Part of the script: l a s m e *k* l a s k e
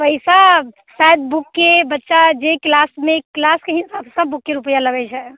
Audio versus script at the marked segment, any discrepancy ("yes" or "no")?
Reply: no